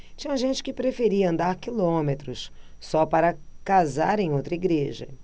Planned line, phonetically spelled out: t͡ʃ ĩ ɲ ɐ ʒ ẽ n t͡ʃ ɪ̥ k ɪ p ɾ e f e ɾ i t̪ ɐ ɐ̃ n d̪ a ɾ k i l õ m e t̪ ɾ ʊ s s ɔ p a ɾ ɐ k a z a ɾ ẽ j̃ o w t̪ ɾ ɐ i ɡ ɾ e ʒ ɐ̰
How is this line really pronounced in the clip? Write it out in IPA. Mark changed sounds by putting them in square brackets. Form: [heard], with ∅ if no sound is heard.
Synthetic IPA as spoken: t͡ʃ ĩ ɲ ɐ ʒ ẽ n t͡ʃ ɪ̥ k ɪ p ɾ e f e ɾ i [∅] ɐ ɐ̃ n d̪ a ɾ k i l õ m e t̪ ɾ ʊ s s ɔ p a ɾ ɐ k a z a ɾ ẽ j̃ o w t̪ ɾ ɐ i ɡ ɾ e ʒ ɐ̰